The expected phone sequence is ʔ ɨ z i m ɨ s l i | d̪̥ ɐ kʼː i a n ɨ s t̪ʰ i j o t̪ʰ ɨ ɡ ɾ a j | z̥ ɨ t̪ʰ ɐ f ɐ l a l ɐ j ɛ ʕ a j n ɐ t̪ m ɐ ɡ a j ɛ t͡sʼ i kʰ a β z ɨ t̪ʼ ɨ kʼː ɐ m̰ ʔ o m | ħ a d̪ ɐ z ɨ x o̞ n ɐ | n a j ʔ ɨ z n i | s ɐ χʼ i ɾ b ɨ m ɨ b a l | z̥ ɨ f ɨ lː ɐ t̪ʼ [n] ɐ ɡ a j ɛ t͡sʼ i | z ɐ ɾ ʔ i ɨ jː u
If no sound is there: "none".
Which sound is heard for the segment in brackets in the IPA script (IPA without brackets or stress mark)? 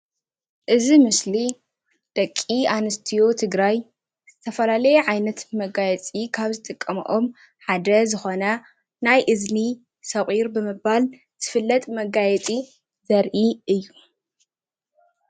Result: m